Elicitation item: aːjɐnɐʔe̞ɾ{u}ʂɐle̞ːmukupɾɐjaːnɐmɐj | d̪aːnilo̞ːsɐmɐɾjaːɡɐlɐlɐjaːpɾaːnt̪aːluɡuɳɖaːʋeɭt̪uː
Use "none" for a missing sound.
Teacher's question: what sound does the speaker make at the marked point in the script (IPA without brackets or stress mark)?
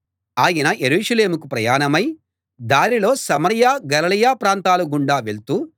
uː